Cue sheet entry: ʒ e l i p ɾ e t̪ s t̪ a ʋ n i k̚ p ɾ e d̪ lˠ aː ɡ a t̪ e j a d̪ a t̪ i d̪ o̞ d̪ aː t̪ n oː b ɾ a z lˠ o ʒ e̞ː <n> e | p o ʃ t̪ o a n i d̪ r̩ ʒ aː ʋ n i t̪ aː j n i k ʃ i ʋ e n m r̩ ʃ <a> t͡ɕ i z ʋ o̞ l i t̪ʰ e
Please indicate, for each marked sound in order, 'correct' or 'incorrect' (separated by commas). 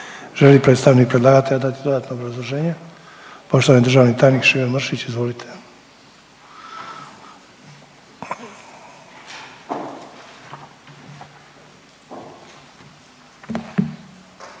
incorrect, incorrect